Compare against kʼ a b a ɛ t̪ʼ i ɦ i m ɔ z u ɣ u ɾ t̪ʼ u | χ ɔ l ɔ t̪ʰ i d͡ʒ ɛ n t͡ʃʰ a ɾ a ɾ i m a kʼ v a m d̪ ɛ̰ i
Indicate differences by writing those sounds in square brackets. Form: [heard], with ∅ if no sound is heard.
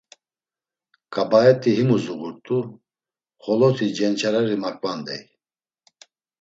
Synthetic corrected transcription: kʼ a b a ɛ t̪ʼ i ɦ i m [u] z u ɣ u ɾ t̪ʼ u | χ ɔ l ɔ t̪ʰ i d͡ʒ ɛ n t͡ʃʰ a ɾ a ɾ i m a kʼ v a [n] d̪ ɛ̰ [j]

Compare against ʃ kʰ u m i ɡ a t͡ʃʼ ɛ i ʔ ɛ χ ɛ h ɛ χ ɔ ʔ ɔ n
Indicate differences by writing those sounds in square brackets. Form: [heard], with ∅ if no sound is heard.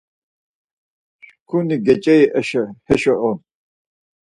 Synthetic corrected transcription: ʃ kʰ u [n] i ɡ [ɛ] t͡ʃʼ ɛ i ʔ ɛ [ʃ] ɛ h ɛ [ʃ] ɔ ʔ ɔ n

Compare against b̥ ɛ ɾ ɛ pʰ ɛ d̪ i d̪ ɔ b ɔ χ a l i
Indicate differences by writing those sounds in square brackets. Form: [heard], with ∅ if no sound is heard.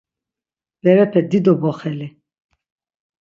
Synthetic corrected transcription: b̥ ɛ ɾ ɛ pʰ ɛ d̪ i d̪ ɔ b ɔ χ [ɛ] l i

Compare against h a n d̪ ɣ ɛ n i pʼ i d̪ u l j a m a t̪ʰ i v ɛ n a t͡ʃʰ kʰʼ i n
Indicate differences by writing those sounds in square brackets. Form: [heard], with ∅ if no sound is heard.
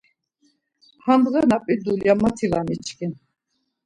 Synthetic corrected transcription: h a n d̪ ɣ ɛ n [a] pʼ i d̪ u l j a m a t̪ʰ i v [a] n [i] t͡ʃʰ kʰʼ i n

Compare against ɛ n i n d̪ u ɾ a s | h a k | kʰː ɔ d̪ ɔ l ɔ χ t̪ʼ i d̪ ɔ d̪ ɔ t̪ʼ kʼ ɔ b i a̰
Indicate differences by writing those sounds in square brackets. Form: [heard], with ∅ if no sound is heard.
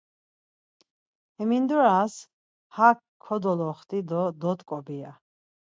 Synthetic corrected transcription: ɛ [m] i n d̪ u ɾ a s | h a k | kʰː ɔ d̪ ɔ l ɔ χ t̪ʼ i d̪ ɔ d̪ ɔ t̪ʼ kʼ ɔ b i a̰

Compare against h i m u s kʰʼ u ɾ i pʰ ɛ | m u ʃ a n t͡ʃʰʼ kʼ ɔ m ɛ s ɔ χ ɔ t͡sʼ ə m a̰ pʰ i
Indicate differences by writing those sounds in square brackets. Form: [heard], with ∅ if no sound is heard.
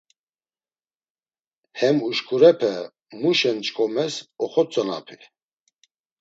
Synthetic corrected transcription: h [ɛ] m u [ʃ] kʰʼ u ɾ [ɛ] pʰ ɛ | m u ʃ [ɛ] n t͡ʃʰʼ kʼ ɔ m ɛ s ɔ χ ɔ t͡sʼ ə [n] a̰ pʰ i

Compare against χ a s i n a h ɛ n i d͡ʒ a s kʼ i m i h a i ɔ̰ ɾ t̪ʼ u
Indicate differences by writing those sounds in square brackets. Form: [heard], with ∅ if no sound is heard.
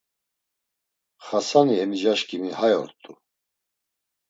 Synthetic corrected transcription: χ a s [a] n [i] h ɛ [m] i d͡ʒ a [ʃ] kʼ i m i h a [j] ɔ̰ ɾ t̪ʼ u

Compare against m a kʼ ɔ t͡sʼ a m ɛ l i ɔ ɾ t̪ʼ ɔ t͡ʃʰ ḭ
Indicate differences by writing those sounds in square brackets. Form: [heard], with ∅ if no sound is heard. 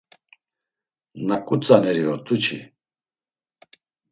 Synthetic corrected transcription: [n] a kʼ [u] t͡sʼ a [n] ɛ [ɾ] i ɔ ɾ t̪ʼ [u] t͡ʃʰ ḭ

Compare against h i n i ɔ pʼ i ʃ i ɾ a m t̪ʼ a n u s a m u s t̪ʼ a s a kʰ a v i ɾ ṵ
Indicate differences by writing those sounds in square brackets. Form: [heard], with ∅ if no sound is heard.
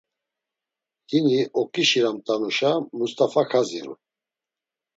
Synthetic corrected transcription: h i n i ɔ [kʼ] i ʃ i ɾ a m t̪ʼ a n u [ʃ] a m u s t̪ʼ a [f] a kʰ a [z] i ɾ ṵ

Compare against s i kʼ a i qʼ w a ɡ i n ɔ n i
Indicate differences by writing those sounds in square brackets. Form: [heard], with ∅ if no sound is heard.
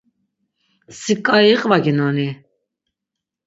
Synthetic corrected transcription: s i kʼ a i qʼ [v] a ɡ i n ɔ n i

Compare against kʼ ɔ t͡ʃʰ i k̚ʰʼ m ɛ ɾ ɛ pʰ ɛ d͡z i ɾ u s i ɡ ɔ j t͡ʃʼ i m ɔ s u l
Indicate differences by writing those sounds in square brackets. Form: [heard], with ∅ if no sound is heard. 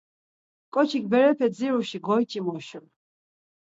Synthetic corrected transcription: kʼ ɔ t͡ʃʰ i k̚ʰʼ [b] ɛ ɾ ɛ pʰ ɛ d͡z i ɾ u [ʃ] i ɡ ɔ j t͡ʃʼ i m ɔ [ʃ] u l

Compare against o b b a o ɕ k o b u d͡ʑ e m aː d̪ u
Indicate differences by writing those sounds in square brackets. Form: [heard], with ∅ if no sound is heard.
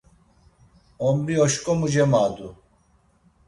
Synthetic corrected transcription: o [m] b [i] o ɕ k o [m] u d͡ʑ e m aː d̪ u

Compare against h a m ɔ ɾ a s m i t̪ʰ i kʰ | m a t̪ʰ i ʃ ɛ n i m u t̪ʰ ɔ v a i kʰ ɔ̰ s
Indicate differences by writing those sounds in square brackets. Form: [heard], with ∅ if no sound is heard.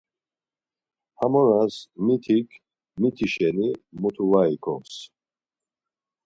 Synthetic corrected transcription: h a m ɔ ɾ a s m i t̪ʰ i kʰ | m [i] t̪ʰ i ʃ ɛ n i m u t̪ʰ [u] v a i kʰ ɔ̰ s

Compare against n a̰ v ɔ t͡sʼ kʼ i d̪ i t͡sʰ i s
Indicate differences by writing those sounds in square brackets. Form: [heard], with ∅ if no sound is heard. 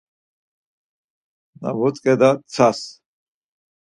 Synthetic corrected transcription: n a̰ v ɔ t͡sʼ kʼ [ɛ] d̪ [a] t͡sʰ [a] s

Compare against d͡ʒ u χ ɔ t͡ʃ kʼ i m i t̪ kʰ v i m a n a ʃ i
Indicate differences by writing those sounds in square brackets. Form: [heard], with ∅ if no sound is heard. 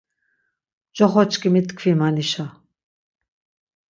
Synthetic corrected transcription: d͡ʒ [ɔ] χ ɔ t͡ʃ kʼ i m i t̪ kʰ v i m a n [i] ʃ [a]

